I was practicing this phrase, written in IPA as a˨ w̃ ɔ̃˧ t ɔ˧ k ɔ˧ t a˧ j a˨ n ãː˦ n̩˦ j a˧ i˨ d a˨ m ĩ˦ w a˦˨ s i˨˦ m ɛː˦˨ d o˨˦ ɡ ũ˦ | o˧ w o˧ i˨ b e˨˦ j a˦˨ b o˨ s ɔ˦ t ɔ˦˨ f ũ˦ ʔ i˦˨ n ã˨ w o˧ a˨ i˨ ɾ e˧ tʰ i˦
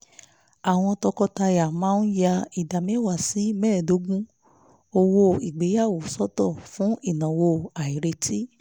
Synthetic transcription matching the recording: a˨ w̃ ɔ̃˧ t ɔ˧ k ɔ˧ t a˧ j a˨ m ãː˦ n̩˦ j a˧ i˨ d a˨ m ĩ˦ w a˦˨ s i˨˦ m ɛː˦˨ d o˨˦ ɡ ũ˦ | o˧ w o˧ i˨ ɡ͡b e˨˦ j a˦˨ w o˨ s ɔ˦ t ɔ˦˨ f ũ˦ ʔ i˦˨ n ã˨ w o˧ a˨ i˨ ɾ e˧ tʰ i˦